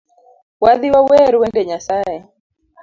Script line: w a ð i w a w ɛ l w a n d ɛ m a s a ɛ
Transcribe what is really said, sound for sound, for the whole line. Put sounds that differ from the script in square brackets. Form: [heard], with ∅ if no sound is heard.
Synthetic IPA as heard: w a ð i w a w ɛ [ɾ] w [ɛ] n d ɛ [ɲ] a s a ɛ